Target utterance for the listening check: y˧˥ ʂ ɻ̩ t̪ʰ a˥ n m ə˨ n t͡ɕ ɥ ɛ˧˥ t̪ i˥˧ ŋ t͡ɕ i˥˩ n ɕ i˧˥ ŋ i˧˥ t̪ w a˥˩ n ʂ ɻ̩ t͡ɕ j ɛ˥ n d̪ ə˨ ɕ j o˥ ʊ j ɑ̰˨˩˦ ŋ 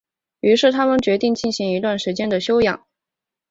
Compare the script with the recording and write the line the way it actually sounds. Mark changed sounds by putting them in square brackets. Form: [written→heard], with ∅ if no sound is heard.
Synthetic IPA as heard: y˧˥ ʂ ɻ̩ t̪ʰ a˥ [n→∅] m ə˨ n t͡ɕ ɥ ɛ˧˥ t̪ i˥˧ ŋ t͡ɕ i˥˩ n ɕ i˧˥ ŋ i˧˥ t̪ w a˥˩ n ʂ ɻ̩ t͡ɕ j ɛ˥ n d̪ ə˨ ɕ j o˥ ʊ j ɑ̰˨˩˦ ŋ